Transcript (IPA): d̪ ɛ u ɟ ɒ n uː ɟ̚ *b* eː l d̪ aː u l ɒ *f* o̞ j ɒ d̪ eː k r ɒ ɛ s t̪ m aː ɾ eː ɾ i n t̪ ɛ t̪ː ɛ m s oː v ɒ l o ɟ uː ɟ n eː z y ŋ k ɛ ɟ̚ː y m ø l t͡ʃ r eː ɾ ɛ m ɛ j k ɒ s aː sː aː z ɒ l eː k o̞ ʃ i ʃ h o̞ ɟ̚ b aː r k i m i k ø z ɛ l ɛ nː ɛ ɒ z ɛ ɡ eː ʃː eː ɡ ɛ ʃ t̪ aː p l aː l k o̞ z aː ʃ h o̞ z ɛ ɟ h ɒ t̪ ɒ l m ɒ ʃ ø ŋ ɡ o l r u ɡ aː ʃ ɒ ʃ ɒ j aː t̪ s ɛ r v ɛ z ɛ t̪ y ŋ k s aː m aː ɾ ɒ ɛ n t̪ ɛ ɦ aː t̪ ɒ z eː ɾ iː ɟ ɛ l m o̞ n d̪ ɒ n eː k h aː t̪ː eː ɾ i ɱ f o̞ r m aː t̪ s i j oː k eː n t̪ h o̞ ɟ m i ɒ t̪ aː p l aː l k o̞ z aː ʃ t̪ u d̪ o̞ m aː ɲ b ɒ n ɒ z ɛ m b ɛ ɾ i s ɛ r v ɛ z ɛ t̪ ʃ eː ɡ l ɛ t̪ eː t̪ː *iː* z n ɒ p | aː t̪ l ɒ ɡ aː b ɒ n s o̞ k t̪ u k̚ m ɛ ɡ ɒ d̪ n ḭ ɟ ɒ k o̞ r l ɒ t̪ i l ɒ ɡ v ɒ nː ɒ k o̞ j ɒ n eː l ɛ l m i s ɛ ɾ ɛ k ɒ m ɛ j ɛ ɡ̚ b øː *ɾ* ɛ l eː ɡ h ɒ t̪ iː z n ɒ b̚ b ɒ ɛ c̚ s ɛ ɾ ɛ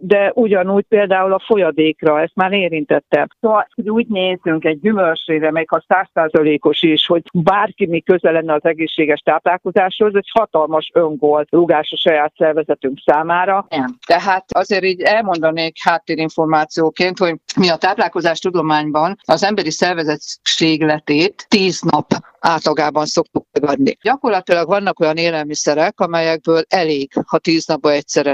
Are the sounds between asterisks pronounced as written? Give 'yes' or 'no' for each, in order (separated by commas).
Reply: no, yes, yes, no